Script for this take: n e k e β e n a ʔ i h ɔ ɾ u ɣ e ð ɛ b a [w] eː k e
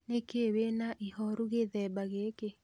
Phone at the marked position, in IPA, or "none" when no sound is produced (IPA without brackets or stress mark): ɣ